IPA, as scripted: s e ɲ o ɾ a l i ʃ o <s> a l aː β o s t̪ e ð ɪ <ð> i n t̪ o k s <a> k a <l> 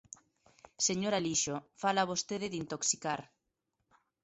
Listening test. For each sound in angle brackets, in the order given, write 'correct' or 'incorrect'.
incorrect: f, correct, incorrect: i, incorrect: ɾ

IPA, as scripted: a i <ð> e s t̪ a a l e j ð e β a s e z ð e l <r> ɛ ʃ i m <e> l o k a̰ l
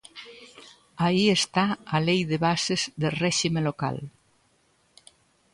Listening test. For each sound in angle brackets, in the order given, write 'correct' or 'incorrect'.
incorrect: none, correct, correct

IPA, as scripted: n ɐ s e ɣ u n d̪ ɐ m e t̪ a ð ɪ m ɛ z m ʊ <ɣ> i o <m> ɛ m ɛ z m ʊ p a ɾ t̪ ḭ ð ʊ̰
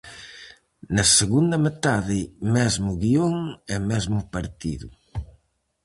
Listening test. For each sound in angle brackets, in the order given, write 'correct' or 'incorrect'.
correct, incorrect: ŋ

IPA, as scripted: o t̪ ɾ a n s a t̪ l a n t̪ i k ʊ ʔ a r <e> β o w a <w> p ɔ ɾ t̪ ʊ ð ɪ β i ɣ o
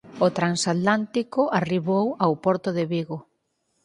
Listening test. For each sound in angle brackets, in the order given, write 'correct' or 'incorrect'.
incorrect: i, correct

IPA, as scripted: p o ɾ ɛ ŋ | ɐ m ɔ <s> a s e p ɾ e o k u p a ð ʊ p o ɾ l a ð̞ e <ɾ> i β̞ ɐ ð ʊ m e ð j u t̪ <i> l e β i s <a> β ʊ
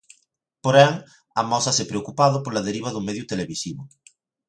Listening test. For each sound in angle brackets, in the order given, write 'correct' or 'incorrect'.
correct, correct, incorrect: e, incorrect: i

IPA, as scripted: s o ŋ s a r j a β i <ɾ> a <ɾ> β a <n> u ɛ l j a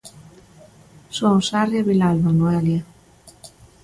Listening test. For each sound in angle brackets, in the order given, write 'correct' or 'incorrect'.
incorrect: l, incorrect: l, correct

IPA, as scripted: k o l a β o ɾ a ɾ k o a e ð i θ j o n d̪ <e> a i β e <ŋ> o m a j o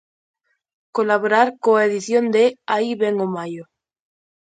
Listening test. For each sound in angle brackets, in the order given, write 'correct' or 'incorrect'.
correct, correct

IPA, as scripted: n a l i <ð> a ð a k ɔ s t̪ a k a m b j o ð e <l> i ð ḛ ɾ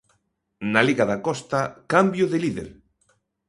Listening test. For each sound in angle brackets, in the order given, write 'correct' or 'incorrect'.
incorrect: ɣ, correct

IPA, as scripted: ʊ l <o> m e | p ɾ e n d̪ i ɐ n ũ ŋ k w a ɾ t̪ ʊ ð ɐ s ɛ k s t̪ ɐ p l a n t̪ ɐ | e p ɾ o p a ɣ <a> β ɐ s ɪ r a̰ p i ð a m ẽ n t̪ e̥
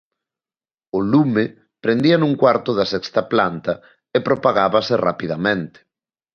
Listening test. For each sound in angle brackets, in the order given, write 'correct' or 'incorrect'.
incorrect: u, correct

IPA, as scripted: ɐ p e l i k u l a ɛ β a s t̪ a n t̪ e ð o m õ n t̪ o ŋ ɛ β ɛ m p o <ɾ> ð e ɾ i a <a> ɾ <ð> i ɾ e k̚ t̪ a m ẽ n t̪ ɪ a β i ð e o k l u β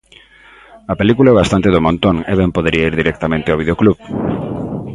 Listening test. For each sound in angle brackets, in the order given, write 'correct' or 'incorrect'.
incorrect: none, incorrect: i, correct

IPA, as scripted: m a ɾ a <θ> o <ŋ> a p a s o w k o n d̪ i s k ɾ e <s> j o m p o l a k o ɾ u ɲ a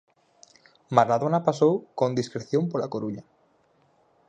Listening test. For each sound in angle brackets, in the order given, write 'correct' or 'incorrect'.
incorrect: ð, incorrect: n, incorrect: θ

